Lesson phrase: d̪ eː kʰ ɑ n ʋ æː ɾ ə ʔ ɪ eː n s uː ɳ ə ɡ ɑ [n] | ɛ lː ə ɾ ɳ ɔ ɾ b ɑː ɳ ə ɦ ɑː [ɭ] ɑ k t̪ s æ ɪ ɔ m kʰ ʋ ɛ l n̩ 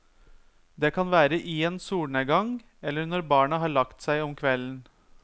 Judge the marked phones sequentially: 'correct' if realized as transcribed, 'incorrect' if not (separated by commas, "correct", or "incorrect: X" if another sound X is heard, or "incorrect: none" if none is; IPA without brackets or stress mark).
incorrect: ŋ, correct